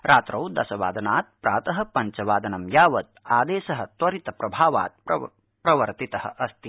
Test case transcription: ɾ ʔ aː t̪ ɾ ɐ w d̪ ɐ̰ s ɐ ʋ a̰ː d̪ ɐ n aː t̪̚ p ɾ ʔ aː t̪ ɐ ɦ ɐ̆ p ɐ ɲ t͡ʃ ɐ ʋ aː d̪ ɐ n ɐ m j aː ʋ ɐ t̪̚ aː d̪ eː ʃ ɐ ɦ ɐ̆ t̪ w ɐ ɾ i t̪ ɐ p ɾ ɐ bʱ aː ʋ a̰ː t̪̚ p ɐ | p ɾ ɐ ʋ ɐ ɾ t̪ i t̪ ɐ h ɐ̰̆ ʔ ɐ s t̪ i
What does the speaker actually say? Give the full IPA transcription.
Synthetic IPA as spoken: ɾ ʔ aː t̪ ɾ ɐ w d̪ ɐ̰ s ɐ ʋ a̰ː d̪ ɐ n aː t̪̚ p ɾ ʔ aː t̪ ɐ ɦ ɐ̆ p ɐ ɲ t͡ʃ ɐ ʋ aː d̪ ɐ n ɐ m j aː ʋ ɐ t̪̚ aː d̪ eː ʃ ɐ ɦ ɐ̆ t̪ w ɐ ɾ i t̪ ɐ p ɾ ɐ bʱ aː ʋ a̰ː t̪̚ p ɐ | p ɾ ɐ ʋ ɐ ɾ t̪ i t̪ ɐ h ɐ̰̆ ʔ ɐ s t̪ i